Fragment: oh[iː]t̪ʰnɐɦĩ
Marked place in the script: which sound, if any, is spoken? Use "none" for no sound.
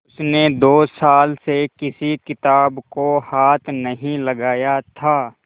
aː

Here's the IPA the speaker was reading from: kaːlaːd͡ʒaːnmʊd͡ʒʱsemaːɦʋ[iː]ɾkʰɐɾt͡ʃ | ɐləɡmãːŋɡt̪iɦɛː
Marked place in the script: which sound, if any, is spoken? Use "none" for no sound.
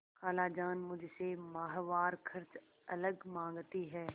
aː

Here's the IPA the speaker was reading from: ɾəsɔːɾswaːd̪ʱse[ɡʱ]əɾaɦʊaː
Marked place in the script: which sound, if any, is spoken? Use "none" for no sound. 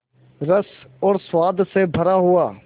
bʱ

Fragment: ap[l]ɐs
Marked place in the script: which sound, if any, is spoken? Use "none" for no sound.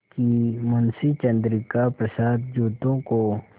ɾ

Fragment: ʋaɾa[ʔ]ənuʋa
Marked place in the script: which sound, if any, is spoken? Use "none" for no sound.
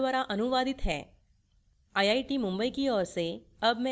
ʔ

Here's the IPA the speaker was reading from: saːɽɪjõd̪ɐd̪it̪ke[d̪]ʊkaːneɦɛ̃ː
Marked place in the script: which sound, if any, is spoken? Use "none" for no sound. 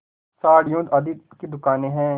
d̪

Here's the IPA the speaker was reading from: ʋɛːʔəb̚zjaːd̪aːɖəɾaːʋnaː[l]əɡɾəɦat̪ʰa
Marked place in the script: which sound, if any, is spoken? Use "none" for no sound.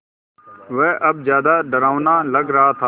l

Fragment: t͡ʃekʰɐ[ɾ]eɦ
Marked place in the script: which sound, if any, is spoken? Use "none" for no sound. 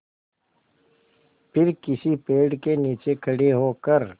ɽ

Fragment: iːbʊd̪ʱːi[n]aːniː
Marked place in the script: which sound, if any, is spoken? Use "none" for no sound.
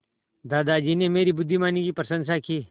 m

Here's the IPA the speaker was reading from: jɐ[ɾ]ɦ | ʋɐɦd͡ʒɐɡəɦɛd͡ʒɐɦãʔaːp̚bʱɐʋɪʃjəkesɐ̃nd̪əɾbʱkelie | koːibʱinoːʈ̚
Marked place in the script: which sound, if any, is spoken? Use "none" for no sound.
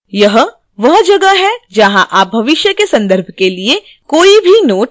none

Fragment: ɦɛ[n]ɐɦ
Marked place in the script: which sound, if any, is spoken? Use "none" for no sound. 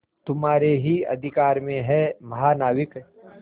m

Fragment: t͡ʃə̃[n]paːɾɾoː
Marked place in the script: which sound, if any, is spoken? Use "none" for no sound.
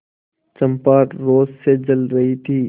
m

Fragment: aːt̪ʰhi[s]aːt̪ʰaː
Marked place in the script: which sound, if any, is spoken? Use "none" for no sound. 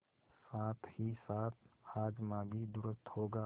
s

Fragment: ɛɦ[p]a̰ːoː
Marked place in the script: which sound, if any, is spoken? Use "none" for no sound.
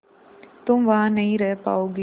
p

